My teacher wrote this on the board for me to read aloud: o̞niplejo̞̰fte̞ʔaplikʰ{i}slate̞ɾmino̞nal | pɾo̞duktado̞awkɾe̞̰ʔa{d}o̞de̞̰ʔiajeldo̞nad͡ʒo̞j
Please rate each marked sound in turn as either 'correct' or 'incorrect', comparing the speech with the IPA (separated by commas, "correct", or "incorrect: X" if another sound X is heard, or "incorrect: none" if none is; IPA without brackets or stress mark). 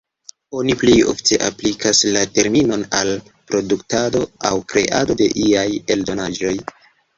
incorrect: a, correct